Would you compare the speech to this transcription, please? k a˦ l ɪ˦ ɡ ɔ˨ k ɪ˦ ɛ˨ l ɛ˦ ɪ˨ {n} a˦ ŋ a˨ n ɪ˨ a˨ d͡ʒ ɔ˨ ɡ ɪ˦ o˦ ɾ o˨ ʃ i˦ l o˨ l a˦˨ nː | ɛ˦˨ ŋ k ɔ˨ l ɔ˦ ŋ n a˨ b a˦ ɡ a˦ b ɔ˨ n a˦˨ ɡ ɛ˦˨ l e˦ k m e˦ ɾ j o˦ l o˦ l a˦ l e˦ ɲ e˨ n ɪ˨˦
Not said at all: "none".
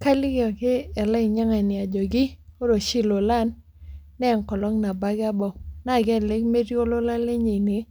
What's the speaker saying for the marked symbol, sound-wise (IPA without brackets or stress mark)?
ɲ